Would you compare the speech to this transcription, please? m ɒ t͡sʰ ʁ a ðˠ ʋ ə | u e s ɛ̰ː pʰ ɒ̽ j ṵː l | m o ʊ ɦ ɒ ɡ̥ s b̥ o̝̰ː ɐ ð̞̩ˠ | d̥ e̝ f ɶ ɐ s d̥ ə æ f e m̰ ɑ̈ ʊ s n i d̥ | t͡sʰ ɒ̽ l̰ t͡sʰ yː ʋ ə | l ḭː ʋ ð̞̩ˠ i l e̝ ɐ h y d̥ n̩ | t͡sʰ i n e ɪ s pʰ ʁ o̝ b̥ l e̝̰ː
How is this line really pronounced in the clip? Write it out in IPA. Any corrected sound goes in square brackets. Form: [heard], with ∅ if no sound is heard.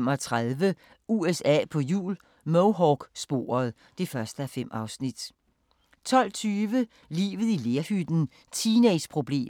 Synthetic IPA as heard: m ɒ t͡sʰ ʁ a ðˠ ʋ ə | u e s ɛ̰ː pʰ ɒ̽ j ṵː l | m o ʊ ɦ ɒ ɡ̥ s b̥ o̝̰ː ɐ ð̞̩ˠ | d̥ e̝ f ɶ ɐ s d̥ ə æ f e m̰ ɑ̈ ʊ s n i d̥ | t͡sʰ ɒ̽ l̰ t͡sʰ yː ʋ ə | l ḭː ʋ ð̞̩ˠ i l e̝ ɐ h y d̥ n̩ | t͡sʰ i n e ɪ s pʰ ʁ o̝ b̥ l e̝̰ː